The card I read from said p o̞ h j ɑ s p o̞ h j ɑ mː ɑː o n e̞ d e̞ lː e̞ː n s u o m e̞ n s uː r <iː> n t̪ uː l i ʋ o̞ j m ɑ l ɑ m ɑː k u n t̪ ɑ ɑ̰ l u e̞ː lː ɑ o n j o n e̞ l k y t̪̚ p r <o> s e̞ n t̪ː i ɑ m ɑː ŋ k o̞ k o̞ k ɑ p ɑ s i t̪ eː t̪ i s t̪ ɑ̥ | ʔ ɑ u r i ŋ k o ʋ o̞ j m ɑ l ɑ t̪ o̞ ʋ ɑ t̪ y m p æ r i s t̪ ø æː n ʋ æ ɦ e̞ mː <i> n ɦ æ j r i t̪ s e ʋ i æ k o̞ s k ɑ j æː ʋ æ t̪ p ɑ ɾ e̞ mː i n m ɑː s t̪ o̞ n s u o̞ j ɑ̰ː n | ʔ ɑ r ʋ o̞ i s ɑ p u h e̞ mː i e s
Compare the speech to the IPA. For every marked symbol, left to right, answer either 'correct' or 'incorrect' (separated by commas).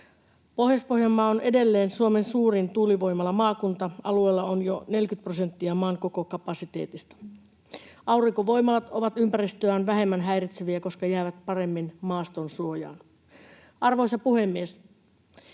incorrect, correct, incorrect